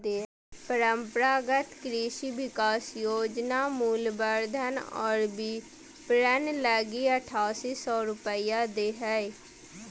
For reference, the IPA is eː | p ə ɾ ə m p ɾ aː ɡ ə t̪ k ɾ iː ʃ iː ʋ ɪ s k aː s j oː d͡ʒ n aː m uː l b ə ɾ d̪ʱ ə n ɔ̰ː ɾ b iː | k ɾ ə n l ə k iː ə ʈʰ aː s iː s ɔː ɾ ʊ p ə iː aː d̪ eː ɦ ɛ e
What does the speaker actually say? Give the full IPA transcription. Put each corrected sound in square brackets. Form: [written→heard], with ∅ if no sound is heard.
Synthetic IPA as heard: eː | p ə ɾ ə m p ɾ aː ɡ ə t̪ k ɾ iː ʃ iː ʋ ɪ [s→∅] k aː s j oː d͡ʒ n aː m uː l b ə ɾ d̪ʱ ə n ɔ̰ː ɾ b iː | [k→p] ɾ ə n l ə [k→ɡ] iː ə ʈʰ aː s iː s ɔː ɾ ʊ p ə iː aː d̪ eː ɦ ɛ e